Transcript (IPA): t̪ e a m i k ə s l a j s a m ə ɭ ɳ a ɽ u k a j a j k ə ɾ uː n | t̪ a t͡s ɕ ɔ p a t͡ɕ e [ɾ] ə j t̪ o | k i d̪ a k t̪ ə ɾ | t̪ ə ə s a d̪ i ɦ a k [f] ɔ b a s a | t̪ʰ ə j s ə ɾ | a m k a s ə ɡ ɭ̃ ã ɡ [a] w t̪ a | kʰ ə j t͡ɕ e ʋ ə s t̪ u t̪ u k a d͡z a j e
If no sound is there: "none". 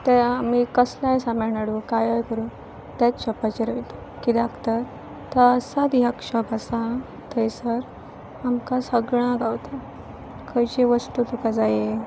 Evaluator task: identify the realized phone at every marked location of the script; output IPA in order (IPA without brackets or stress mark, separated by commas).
ɾ, ɕ, a